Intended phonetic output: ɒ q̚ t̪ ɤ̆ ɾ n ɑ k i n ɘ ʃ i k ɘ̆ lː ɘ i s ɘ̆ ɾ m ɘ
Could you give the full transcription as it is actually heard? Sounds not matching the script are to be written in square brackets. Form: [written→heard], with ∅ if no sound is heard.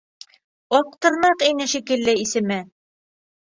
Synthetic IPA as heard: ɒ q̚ t̪ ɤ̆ ɾ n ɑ [k→q] i n ɘ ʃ i k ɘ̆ lː ɘ i s ɘ̆ [ɾ→∅] m ɘ